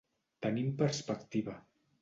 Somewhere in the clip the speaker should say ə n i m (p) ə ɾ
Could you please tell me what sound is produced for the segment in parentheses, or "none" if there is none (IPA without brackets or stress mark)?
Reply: p